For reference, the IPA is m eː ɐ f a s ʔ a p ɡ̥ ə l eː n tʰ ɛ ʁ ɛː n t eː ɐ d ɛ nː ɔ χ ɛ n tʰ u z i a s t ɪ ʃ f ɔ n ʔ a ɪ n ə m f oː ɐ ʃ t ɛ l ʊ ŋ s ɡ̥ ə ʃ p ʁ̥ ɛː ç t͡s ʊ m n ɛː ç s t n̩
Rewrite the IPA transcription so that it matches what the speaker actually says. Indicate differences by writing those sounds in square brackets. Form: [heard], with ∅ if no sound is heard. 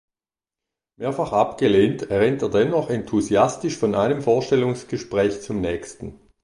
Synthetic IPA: m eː ɐ f a [χ] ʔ a p ɡ̥ ə l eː n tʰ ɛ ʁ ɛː n t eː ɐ d ɛ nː ɔ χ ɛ n tʰ u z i a s t ɪ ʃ f ɔ n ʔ a ɪ n ə m f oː ɐ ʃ t ɛ l ʊ ŋ s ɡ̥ ə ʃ p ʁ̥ ɛː ç t͡s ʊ m n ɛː ç s t n̩